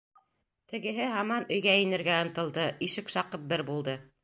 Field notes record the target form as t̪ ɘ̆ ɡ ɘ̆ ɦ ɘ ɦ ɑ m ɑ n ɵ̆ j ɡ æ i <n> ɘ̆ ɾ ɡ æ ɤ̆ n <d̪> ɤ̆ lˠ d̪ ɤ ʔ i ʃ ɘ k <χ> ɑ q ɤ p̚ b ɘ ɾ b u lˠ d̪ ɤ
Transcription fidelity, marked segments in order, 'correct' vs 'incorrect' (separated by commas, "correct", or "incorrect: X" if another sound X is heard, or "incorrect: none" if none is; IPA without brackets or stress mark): correct, incorrect: t̪, incorrect: ʃ